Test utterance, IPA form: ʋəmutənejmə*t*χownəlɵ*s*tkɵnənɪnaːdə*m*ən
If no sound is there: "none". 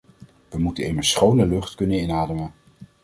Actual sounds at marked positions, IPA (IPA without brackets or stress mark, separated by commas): s, χ, m